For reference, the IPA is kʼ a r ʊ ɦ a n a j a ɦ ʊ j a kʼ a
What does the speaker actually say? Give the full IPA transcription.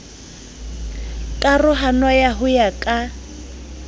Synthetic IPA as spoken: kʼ a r ʊ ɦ a n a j a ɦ ʊ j a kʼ a